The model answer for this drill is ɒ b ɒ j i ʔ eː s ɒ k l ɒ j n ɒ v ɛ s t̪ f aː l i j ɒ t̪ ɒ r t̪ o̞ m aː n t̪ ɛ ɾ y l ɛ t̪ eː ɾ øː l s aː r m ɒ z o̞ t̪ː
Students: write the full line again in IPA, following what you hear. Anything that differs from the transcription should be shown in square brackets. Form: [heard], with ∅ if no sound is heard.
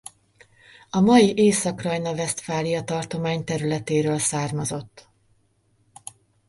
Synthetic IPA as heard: ɒ [m] ɒ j i ʔ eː s ɒ k [r] ɒ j n ɒ v ɛ s t̪ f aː l i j ɒ t̪ ɒ r t̪ o̞ m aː [ɲ] t̪ ɛ ɾ y l ɛ t̪ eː ɾ øː l s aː r m ɒ z o̞ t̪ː